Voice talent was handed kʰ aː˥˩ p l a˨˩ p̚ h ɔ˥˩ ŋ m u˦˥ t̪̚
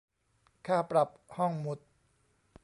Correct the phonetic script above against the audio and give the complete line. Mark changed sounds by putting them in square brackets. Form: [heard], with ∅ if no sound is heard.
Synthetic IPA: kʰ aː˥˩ p [ɾ] a˨˩ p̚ h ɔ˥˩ ŋ m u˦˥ t̪̚